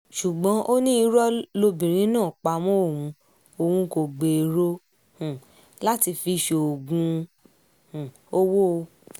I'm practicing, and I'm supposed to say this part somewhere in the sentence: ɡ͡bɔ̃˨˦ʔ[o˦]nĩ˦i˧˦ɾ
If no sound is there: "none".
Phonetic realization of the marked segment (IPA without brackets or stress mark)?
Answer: o˦